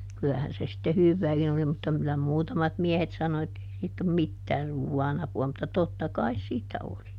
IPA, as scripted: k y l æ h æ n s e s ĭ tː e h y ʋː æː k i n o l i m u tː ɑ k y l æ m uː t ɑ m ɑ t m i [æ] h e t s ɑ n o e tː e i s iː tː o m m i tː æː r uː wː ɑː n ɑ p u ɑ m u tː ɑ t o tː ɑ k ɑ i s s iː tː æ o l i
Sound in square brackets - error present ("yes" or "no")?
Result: yes